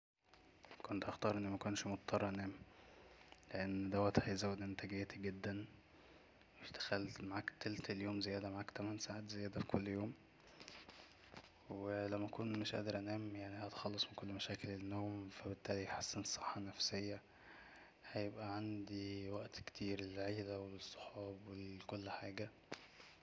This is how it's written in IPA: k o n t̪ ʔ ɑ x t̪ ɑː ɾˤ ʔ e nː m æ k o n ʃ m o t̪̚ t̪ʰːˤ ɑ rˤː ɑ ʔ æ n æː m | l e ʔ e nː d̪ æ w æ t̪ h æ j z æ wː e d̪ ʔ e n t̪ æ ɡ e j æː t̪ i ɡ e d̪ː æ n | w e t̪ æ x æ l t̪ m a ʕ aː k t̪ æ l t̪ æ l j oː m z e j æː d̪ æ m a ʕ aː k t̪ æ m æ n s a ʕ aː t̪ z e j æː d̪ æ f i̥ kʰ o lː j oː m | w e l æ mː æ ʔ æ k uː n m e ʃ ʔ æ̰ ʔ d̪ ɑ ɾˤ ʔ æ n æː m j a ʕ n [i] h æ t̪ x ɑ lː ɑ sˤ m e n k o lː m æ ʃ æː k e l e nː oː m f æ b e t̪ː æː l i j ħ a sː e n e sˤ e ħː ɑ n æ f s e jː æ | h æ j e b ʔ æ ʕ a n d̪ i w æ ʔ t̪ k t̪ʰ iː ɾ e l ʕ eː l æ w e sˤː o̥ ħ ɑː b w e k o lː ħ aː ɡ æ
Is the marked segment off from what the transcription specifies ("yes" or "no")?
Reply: no